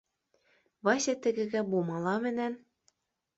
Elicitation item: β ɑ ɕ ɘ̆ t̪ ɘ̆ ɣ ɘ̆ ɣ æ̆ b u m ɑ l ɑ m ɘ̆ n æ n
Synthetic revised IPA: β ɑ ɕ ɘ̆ t̪ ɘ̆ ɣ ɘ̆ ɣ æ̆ b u m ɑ l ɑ m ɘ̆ n æ n